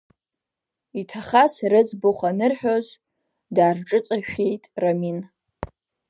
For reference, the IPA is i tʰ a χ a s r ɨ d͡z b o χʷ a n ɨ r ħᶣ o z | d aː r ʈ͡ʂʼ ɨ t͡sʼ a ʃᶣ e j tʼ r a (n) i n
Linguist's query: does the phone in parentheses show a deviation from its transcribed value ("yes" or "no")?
yes